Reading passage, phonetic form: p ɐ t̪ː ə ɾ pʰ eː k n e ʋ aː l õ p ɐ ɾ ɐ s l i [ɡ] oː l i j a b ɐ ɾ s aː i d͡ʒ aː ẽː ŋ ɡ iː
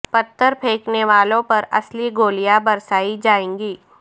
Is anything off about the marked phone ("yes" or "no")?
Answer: no